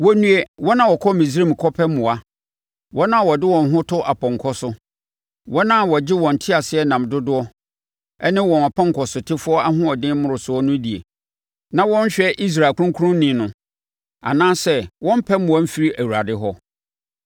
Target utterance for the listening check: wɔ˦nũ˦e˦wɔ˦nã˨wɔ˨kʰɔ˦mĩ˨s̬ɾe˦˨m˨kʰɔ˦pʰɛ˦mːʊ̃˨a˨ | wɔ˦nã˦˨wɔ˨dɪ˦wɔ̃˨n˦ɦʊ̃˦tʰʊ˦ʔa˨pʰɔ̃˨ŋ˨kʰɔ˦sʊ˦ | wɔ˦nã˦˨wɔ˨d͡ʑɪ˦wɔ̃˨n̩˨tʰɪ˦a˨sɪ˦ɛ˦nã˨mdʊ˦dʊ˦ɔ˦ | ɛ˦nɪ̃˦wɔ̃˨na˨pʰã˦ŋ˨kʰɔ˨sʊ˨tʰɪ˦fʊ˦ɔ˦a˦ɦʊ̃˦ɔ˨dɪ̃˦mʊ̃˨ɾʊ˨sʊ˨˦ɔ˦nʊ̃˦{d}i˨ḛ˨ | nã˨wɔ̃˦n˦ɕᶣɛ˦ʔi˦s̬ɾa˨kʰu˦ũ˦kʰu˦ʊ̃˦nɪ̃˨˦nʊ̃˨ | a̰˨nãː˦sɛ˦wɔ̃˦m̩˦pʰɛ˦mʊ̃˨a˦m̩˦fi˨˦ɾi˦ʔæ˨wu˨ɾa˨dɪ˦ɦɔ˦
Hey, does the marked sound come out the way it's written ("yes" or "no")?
yes